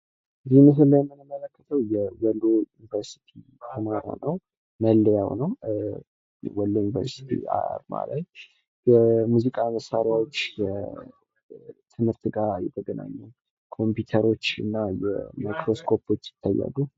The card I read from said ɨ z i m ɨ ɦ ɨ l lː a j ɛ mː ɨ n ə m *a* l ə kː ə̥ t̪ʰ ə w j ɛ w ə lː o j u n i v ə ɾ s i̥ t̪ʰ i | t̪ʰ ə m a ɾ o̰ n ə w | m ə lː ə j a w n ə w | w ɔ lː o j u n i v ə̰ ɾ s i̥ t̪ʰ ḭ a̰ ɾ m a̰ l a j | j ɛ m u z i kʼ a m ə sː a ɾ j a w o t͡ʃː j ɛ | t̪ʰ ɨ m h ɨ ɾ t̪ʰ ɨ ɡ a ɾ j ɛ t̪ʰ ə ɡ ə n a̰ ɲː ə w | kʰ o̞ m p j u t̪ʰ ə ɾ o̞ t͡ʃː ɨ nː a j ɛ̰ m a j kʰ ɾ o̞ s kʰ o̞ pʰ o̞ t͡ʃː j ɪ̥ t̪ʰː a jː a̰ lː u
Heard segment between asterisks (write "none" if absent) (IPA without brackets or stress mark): ə